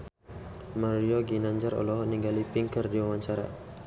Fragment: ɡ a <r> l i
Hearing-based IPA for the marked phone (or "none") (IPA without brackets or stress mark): none